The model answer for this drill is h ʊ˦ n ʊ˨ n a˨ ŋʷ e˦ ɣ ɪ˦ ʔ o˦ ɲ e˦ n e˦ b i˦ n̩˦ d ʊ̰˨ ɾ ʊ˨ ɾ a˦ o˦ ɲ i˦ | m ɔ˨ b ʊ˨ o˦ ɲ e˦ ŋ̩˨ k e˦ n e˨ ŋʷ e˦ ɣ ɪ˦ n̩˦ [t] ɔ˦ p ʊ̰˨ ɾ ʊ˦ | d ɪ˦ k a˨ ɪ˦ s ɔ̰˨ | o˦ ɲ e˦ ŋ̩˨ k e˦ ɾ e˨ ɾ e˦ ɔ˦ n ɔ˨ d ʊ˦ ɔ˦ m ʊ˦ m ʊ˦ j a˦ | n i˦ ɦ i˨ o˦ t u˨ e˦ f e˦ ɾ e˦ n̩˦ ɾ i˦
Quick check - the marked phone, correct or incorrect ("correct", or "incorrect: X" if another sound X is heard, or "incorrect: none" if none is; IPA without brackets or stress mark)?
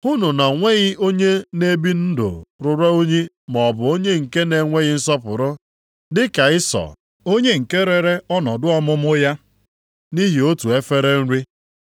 incorrect: s